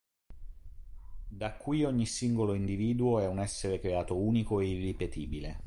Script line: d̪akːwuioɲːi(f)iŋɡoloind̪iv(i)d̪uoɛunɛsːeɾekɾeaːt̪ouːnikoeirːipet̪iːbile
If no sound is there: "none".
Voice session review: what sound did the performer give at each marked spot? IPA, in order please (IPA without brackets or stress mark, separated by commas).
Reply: s, iː